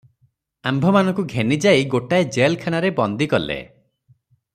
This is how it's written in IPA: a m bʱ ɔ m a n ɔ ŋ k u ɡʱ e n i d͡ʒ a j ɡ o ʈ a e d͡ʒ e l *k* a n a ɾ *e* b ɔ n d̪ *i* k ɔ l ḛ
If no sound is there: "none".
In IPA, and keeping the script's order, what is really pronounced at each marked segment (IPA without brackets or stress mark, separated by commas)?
kʰ, e, i